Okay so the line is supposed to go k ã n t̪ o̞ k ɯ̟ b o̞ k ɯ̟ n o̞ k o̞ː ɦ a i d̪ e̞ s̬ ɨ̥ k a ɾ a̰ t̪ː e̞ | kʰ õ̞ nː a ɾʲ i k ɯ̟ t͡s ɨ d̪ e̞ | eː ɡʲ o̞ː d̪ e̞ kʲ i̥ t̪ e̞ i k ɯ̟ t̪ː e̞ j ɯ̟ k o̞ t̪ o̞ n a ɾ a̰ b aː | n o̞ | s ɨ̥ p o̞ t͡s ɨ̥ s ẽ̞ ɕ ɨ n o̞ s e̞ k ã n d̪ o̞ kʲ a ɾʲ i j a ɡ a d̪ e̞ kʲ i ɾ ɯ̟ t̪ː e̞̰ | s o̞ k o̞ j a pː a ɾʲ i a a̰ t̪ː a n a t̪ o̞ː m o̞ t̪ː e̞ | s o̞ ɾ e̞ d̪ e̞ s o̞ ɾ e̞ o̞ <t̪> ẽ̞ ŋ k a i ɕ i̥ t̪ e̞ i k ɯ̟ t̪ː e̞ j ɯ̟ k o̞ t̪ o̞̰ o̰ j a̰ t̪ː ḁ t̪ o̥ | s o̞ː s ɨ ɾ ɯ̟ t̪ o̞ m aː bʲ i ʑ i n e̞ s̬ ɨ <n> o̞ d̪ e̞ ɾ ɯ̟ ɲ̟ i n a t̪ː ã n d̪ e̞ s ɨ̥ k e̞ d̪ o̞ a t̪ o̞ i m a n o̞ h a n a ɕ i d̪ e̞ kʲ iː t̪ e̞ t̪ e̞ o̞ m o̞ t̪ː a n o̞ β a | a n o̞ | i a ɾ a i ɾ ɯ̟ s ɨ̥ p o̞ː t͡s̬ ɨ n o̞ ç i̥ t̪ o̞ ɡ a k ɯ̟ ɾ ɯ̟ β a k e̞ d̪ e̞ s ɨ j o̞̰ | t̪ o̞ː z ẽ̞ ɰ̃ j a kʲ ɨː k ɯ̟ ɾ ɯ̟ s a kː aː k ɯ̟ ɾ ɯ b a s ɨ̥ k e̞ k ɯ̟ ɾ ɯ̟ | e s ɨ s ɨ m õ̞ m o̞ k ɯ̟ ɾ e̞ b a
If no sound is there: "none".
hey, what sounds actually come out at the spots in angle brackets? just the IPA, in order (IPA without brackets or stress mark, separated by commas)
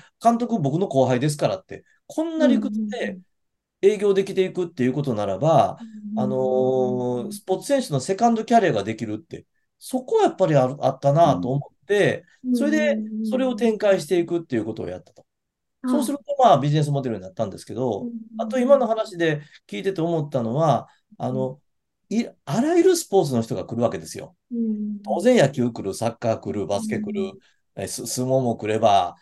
t̪, m